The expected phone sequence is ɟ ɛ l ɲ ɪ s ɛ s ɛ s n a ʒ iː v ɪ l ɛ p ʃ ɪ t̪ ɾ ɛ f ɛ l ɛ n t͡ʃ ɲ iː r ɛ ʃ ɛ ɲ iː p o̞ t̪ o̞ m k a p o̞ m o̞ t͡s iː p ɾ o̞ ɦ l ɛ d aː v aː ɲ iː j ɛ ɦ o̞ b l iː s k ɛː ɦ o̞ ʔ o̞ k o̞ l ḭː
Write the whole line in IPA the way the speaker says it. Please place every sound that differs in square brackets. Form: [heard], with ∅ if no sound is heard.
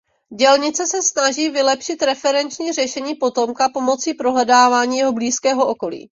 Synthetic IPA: ɟ ɛ l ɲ ɪ [t͡s] ɛ s ɛ s n a ʒ iː v ɪ l ɛ p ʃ ɪ t̪ ɾ ɛ f ɛ [ɾ] ɛ n t͡ʃ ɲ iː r ɛ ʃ ɛ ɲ iː p o̞ t̪ o̞ m k a p o̞ m o̞ t͡s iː p ɾ o̞ ɦ l ɛ d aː v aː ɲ iː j ɛ ɦ o̞ b l iː s k ɛː ɦ o̞ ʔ o̞ k o̞ l ḭː